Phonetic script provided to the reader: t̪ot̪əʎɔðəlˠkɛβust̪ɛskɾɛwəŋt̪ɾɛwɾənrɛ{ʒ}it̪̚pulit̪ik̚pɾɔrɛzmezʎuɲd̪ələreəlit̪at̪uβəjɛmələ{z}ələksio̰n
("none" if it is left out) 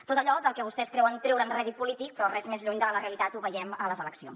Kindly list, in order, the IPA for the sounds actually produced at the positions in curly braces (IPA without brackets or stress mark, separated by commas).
ð, z